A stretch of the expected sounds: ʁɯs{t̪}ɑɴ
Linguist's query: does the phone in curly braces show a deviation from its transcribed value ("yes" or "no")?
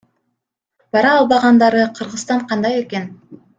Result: no